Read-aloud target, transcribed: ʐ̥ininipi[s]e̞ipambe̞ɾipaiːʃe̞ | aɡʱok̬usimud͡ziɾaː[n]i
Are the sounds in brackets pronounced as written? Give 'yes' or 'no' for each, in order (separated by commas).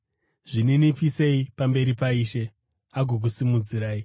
yes, no